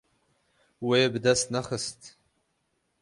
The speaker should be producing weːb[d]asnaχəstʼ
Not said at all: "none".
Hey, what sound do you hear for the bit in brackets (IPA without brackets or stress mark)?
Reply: d